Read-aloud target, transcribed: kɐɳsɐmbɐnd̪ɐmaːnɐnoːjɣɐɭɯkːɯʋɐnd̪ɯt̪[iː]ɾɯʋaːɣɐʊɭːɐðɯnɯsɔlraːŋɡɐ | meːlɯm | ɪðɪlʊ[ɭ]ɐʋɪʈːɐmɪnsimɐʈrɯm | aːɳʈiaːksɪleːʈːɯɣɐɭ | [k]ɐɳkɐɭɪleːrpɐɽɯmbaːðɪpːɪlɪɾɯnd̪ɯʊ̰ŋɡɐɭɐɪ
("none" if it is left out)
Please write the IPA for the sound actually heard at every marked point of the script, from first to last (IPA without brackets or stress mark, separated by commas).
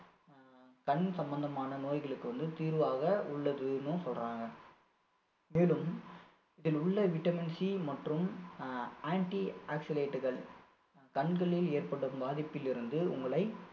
iː, ɭː, k